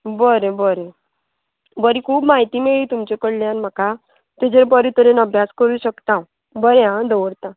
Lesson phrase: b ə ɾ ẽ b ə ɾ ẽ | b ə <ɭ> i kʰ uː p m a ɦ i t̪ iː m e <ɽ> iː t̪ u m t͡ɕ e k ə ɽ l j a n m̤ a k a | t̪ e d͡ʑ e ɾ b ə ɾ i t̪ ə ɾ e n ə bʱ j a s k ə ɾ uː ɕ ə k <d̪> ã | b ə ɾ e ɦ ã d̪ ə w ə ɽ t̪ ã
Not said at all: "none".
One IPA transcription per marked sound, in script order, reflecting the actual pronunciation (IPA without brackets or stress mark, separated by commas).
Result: ɾ, ɭ, t̪